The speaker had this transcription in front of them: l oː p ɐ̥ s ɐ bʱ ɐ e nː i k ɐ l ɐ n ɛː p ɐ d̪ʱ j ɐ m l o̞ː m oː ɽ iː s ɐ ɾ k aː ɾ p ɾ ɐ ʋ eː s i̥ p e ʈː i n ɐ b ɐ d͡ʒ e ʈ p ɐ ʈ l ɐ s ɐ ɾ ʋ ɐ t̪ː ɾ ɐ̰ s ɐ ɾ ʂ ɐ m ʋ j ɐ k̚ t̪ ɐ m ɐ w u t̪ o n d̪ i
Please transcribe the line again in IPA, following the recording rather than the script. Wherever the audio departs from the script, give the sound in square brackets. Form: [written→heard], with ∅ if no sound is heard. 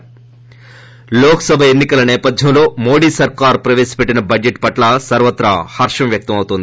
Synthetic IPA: l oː [p→k] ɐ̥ s ɐ bʱ ɐ e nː i k ɐ l ɐ n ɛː p ɐ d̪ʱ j ɐ m l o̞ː m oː ɽ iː s ɐ ɾ k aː ɾ p ɾ ɐ ʋ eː s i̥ p e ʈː i n ɐ b ɐ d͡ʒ e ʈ p ɐ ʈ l ɐ s ɐ ɾ ʋ ɐ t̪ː ɾ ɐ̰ [s→h] ɐ ɾ ʂ ɐ m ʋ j ɐ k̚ t̪ ɐ m ɐ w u t̪ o n d̪ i

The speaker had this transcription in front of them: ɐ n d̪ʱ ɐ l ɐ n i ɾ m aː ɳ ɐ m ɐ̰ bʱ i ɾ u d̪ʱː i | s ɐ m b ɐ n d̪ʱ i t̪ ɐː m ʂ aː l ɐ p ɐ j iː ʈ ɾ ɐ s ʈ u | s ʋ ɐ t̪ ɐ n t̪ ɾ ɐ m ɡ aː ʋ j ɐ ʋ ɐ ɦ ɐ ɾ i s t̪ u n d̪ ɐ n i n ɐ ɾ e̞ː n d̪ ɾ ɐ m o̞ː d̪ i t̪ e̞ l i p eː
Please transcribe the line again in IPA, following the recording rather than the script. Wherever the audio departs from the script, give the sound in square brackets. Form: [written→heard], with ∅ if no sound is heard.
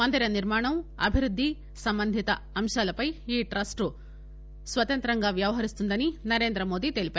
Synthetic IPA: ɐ n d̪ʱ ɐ [l→ɾ] ɐ n i ɾ m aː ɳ ɐ m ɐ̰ bʱ i ɾ u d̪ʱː i | s ɐ m b ɐ n d̪ʱ i t̪ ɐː m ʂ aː l ɐ p ɐ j iː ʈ ɾ ɐ s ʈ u | s ʋ ɐ t̪ ɐ n t̪ ɾ ɐ [m→ŋ] ɡ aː ʋ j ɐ ʋ ɐ ɦ ɐ ɾ i s t̪ u n d̪ ɐ n i n ɐ ɾ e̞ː n d̪ ɾ ɐ m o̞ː d̪ i t̪ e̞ l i p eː

